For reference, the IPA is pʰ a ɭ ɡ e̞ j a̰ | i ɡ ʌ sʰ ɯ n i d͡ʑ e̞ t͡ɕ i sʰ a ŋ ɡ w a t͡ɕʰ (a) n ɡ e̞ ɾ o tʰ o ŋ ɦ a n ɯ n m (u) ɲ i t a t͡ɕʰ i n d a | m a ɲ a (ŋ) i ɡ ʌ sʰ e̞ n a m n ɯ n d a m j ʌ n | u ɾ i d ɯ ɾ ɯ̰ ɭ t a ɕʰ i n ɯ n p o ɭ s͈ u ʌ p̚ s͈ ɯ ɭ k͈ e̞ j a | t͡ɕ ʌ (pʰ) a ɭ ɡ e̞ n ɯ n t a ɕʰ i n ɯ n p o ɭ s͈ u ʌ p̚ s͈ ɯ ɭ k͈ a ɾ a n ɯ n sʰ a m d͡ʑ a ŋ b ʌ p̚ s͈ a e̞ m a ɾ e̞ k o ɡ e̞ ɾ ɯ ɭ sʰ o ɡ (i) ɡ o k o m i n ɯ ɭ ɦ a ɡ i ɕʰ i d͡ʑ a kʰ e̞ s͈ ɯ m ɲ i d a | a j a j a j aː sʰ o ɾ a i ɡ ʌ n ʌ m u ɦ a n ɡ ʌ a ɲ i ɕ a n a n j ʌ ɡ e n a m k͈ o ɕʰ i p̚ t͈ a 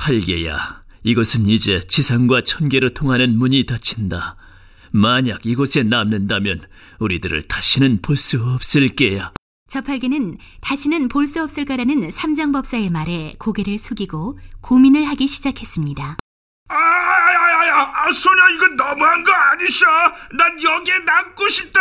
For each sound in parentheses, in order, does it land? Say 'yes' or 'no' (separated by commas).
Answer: no, yes, no, yes, yes